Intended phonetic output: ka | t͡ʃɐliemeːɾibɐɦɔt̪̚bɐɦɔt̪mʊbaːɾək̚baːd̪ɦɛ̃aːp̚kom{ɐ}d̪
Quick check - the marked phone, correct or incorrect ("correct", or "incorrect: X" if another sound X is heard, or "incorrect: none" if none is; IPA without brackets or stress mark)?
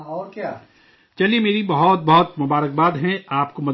correct